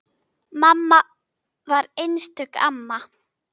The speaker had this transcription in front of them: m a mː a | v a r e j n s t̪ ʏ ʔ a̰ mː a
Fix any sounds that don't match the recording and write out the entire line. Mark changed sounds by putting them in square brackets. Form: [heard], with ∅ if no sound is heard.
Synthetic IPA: m a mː a | v a [ɾ] e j n s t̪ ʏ [k] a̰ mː a